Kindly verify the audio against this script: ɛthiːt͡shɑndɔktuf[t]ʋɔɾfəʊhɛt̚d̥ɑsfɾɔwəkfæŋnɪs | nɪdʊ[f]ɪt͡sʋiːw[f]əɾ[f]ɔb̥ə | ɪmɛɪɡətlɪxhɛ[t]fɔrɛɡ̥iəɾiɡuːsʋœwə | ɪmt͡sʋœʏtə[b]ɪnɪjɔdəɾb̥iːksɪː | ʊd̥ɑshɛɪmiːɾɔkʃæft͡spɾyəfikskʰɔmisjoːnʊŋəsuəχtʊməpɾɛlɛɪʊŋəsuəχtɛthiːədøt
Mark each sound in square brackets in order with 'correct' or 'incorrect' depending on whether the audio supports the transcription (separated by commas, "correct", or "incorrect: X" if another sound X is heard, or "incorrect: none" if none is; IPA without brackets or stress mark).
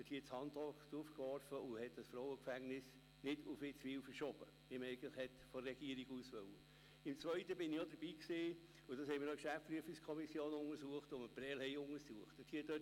incorrect: k, correct, correct, incorrect: ʃ, correct, correct